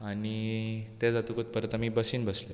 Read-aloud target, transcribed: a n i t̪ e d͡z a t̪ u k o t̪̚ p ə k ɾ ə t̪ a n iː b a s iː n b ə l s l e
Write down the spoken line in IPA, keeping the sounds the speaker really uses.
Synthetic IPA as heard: a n i t̪ e d͡z a t̪ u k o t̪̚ p ə ɾ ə t̪ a m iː b ə s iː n b ə s l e

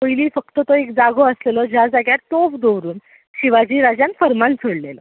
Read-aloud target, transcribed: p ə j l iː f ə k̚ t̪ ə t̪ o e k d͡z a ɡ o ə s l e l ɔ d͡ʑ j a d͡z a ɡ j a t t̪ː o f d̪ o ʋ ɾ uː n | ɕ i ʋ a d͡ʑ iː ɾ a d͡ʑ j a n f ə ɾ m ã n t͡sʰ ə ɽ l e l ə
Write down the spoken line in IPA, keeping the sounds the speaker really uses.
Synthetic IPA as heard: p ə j l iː f ə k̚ t̪ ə t̪ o e k d͡z a ɡ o ə s l e l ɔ d͡ʑ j a d͡z a ɡ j a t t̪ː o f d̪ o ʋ ɾ uː n | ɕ i ʋ a d͡ʑ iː ɾ a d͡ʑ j a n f ə ɾ m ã n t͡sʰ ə ɽ l e l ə

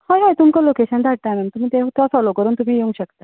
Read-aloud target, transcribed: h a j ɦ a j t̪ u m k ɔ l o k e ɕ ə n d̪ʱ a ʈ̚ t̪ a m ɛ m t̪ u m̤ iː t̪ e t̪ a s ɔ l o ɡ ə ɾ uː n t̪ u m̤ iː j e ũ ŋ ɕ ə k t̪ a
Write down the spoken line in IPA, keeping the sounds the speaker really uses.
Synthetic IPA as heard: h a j ɦ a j t̪ u m k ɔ l o k e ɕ ə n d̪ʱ a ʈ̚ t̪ a m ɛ m t̪ u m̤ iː t̪ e t̪ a s ɔ l o k ə ɾ uː n t̪ u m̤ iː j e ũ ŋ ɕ ə k t̪ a

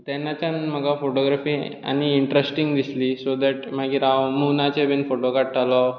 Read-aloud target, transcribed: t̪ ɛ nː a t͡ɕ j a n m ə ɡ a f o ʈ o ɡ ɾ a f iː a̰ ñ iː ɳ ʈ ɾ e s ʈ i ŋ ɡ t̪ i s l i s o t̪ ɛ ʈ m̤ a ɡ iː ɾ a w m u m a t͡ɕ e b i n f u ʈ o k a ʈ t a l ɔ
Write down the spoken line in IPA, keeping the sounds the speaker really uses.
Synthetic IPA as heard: t̪ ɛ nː a t͡ɕ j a n m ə ɡ a f o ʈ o ɡ ɾ a f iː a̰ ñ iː ɳ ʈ ɾ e s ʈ i ŋ ɡ d̪ i s l i s o d̪ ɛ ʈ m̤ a ɡ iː ɾ a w m u n a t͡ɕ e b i n f o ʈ o k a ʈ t a l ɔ

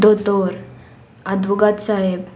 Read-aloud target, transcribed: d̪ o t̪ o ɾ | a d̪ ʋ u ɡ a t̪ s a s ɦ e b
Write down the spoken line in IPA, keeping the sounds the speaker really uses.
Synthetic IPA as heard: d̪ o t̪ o ɾ | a d̪ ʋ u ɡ a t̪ s a ɦ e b

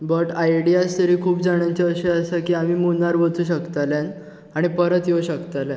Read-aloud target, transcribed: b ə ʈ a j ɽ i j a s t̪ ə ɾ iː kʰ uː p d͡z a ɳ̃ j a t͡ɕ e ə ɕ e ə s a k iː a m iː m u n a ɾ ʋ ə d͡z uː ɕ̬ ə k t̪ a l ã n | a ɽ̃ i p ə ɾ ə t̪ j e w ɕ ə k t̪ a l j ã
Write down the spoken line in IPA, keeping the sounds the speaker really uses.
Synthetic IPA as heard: b ə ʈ a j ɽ i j a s t̪ ə ɾ iː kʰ uː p d͡z a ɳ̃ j a t͡ɕ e ə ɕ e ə s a k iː a m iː m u n a ɾ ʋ ə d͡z uː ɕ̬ ə k t̪ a l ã n | a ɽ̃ i p ə ɾ ə t̪ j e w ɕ ə k t̪ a l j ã

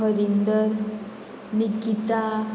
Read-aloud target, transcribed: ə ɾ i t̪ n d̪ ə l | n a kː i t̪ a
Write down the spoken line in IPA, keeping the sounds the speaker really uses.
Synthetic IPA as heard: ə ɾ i n d̪ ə ɾ | n i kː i t̪ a

